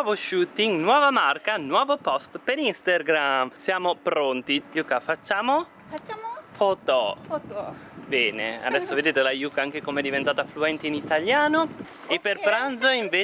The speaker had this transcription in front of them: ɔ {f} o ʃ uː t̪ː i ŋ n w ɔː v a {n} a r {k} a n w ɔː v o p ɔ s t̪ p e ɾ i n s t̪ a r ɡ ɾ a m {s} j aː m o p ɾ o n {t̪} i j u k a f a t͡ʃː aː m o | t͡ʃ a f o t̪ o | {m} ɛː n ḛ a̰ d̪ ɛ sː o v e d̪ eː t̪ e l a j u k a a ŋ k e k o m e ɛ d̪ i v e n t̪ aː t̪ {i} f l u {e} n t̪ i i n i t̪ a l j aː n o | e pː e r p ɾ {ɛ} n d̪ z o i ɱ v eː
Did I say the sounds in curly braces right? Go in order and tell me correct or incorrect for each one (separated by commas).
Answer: incorrect, incorrect, correct, correct, correct, incorrect, incorrect, incorrect, incorrect